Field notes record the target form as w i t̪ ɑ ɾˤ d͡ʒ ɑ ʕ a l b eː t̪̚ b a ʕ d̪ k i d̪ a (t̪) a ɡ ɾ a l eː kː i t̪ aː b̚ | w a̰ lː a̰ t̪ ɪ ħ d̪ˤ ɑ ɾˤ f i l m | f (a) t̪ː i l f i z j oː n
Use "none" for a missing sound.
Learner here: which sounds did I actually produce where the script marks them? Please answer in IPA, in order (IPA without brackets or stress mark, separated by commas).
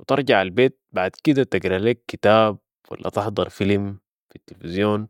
t̪, i